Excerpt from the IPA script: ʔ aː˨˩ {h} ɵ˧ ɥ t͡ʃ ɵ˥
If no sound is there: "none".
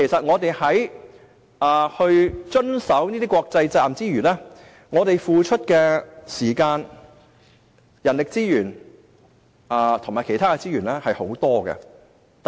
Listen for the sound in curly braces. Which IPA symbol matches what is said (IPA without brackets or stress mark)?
h